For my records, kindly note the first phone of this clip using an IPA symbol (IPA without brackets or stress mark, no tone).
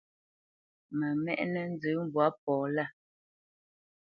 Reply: m